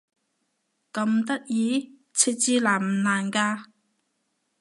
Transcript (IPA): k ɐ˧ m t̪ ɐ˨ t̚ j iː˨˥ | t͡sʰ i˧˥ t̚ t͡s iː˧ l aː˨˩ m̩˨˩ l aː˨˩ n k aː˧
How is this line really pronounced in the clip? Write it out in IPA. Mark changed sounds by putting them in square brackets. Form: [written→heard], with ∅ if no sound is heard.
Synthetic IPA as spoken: k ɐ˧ m t̪ [ɐ˨→ɐ˥] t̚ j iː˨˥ | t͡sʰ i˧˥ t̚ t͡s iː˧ l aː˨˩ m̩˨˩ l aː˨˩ n k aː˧